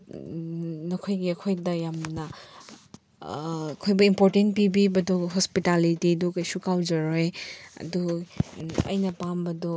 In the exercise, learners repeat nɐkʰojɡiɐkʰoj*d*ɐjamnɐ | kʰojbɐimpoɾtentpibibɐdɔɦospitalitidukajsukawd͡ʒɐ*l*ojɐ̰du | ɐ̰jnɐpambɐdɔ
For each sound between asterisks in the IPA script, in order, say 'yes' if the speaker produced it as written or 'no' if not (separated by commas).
yes, no